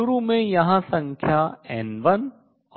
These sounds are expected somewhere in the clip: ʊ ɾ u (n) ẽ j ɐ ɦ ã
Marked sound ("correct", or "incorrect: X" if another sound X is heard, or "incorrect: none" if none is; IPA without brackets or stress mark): incorrect: m